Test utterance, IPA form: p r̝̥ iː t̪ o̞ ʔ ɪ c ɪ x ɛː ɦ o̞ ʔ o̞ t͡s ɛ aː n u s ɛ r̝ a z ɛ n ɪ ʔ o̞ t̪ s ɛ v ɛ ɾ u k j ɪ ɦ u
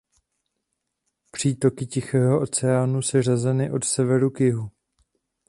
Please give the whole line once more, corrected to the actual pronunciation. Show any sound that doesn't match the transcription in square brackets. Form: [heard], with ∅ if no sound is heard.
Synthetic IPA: p r̝̥ iː t̪ o̞ [k] ɪ c ɪ x ɛː ɦ o̞ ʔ o̞ t͡s ɛ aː n u s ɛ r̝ a z ɛ n ɪ ʔ o̞ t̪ s ɛ v ɛ ɾ u k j ɪ ɦ u